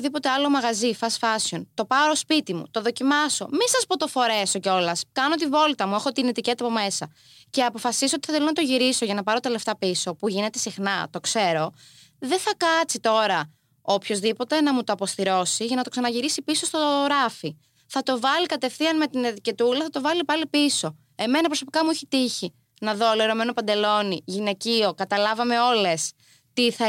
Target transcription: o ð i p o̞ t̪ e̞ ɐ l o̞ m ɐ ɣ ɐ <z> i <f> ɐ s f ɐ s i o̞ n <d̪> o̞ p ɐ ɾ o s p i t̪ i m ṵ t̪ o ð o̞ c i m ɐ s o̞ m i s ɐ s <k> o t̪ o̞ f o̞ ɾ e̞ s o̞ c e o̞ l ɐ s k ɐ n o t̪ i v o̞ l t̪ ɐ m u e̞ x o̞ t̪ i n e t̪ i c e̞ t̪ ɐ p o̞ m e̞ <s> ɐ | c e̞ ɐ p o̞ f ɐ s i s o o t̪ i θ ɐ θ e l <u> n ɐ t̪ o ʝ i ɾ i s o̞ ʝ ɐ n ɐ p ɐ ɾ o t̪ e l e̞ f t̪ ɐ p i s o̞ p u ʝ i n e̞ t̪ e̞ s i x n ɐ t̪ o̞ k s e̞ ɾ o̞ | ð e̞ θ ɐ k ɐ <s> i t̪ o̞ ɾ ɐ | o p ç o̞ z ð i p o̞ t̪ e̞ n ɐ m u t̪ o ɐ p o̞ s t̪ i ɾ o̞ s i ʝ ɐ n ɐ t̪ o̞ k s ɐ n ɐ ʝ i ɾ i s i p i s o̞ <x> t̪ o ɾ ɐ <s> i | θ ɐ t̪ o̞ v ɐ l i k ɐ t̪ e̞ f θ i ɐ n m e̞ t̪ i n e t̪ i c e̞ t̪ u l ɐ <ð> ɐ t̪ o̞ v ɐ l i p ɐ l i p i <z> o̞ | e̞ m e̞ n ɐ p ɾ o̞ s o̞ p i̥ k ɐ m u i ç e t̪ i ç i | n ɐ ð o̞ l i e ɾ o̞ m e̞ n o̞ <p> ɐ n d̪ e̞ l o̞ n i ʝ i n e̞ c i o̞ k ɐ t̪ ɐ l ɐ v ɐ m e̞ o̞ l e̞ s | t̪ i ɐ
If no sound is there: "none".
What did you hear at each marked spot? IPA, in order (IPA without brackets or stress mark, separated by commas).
z, f, t̪, p, s, o, t͡s, s, f, θ, s, p